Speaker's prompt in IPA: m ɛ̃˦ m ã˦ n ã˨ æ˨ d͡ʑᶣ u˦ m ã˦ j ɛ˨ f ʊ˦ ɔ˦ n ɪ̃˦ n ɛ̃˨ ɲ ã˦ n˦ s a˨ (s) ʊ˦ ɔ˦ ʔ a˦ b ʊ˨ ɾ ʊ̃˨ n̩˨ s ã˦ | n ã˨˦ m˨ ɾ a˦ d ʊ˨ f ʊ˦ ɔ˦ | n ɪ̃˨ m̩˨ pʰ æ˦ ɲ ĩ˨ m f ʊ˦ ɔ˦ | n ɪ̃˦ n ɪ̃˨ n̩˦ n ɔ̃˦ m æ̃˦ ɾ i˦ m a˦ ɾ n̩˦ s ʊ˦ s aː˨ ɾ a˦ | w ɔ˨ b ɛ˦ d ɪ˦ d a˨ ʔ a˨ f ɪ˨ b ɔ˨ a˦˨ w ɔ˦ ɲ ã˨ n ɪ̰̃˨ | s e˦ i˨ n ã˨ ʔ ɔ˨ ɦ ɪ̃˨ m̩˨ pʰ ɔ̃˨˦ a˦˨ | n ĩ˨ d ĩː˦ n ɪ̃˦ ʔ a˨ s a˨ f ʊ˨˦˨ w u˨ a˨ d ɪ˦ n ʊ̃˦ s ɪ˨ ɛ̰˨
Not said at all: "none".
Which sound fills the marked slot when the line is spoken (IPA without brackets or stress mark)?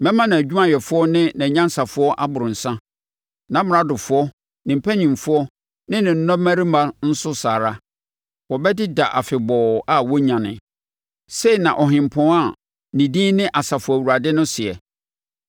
f